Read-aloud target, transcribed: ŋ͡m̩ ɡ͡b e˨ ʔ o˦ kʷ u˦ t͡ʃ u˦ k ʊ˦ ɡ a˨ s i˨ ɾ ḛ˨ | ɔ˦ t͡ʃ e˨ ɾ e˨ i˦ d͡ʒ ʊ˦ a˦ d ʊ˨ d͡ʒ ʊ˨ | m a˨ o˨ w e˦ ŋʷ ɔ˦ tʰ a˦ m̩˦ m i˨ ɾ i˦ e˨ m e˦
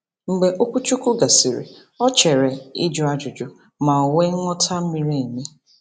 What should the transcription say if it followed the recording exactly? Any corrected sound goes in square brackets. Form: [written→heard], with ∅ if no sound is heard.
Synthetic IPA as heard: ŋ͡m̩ ɡ͡b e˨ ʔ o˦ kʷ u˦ t͡ʃ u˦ k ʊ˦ ɡ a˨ s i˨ ɾ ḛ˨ | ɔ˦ t͡ʃ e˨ ɾ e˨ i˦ d͡ʒ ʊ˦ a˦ [d→d͡ʒ] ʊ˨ d͡ʒ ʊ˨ | m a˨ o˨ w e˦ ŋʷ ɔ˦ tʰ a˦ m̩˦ m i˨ ɾ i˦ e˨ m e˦